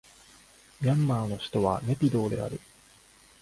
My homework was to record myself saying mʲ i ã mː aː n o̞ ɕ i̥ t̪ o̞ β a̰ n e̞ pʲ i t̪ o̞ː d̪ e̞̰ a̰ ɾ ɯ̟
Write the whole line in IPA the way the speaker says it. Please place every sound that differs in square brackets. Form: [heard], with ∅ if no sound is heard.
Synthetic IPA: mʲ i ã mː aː n o̞ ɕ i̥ t̪ o̞ β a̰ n e̞ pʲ i [d̪] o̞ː d̪ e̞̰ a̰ ɾ ɯ̟